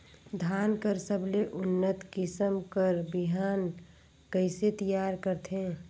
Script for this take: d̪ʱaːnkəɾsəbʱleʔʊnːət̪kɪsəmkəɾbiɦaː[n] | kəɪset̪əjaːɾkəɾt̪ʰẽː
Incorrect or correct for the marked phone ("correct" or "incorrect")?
correct